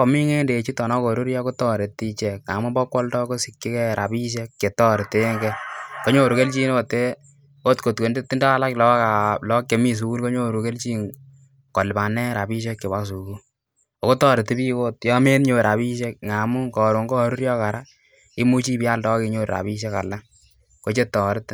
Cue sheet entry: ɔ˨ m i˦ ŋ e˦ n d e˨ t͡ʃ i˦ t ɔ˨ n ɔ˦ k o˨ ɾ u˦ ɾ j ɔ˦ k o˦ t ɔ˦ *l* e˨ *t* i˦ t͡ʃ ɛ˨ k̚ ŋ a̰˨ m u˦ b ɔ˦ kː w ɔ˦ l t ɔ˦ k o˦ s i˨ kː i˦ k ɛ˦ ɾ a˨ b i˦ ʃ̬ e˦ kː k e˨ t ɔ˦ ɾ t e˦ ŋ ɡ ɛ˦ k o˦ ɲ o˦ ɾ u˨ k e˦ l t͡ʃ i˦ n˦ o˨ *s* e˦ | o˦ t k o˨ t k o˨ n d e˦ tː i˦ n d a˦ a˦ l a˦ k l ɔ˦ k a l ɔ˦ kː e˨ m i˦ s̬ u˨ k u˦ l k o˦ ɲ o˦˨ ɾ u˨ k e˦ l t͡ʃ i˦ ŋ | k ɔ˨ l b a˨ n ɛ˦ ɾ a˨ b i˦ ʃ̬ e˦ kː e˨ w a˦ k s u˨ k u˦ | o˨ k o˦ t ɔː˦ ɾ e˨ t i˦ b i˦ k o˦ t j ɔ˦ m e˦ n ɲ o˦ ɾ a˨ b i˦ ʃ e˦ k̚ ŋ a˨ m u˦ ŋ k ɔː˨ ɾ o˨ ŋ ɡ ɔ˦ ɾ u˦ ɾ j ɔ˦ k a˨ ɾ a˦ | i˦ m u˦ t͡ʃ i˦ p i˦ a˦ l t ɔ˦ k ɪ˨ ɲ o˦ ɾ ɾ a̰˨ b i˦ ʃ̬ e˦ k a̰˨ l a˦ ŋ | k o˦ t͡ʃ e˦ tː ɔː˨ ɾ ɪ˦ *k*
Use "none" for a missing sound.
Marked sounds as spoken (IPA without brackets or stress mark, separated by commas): ɾ, t, t, t